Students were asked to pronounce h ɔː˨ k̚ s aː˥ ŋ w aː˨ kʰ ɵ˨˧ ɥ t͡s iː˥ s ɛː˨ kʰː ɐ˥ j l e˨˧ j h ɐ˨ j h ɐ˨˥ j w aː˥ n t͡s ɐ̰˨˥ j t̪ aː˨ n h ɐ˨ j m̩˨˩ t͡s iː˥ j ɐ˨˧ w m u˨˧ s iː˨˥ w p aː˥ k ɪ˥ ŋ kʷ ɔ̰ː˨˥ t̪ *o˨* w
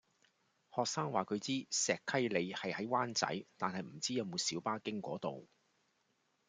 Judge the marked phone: correct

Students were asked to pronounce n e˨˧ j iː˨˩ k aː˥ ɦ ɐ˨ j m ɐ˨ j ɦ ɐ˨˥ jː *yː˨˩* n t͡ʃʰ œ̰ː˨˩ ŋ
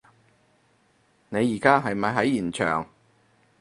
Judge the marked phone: incorrect: iː˨˩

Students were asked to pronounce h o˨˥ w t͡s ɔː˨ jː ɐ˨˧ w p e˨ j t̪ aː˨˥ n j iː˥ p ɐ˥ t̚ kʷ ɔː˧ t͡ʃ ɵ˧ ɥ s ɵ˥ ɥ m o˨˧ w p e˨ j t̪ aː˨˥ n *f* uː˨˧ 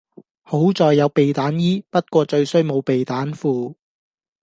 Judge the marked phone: correct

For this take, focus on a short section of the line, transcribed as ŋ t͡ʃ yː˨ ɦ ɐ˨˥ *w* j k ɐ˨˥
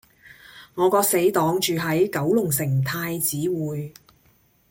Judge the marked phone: incorrect: none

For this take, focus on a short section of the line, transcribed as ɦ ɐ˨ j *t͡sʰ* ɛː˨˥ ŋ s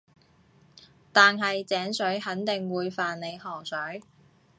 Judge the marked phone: incorrect: t͡s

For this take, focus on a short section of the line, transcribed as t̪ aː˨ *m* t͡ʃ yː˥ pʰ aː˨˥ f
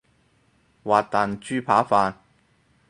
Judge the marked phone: incorrect: n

